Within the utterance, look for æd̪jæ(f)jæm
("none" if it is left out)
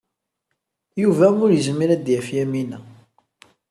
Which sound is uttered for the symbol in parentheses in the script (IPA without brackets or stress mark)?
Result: f